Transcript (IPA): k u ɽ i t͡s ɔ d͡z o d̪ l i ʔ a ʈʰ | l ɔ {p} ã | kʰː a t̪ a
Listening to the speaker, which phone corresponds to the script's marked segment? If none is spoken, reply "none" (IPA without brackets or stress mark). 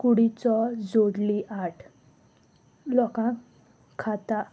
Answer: k